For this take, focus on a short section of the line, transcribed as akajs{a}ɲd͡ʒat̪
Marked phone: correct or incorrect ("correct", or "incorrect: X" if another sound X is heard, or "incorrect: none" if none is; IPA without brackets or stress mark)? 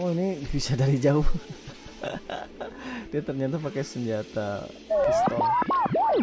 incorrect: ə